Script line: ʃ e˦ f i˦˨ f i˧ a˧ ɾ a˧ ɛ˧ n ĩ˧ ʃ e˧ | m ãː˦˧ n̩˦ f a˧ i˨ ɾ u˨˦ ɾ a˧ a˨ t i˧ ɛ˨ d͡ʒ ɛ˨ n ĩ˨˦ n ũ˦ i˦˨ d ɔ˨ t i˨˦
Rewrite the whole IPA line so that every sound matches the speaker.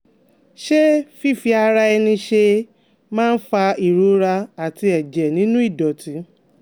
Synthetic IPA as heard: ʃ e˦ f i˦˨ f i˧ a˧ ɾ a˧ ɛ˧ n ĩ˧ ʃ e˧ | m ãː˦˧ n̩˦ f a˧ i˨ ɾ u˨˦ ɾ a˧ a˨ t i˧ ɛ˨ d͡ʒ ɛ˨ n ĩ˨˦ n ũ˦ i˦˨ d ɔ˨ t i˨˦